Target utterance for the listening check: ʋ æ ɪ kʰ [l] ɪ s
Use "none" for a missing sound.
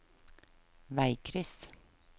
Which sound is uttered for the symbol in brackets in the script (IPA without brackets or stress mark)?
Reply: ɾ